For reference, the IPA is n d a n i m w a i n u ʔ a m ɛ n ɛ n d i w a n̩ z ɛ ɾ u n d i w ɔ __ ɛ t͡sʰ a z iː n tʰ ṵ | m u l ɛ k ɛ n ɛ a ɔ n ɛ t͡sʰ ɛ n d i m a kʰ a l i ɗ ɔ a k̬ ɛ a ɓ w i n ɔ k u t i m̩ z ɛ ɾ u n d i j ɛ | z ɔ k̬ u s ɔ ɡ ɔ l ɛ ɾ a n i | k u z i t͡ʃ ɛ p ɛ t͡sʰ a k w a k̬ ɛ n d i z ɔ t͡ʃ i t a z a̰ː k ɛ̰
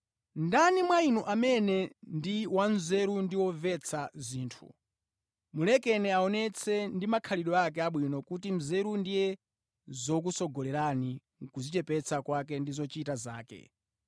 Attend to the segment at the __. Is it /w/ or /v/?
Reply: v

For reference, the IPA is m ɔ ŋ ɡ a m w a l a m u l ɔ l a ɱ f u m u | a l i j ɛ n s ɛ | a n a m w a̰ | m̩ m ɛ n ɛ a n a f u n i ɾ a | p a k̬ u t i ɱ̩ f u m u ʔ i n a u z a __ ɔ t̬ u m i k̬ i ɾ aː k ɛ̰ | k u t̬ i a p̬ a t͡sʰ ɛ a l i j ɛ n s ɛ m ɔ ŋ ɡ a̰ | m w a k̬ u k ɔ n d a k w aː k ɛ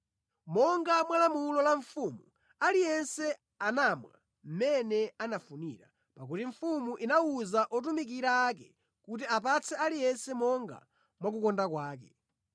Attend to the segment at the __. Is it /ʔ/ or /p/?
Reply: ʔ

